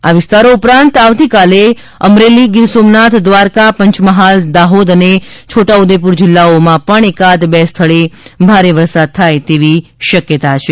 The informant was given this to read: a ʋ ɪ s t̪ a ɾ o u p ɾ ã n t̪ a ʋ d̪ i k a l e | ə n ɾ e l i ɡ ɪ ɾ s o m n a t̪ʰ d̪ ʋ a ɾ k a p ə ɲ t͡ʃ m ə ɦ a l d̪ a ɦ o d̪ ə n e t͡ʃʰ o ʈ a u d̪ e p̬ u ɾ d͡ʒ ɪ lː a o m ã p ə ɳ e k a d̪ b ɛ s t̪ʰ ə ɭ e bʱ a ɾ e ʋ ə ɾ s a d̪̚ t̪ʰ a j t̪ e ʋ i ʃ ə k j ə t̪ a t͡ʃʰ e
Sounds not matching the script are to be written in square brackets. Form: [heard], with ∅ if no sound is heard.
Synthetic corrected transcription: a ʋ ɪ s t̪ a ɾ o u p ɾ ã n t̪ a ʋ [t̪] i k a l e | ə [m] ɾ e l i ɡ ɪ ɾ s o m n a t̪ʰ d̪ ʋ a ɾ k a p ə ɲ t͡ʃ m ə ɦ a l d̪ a ɦ o d̪ ə n e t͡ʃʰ o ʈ a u d̪ e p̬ u ɾ d͡ʒ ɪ lː a o m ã p ə ɳ e k a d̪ b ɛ s t̪ʰ ə ɭ e bʱ a ɾ e ʋ ə ɾ s a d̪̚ t̪ʰ a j t̪ e ʋ i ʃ ə k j ə t̪ a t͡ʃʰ e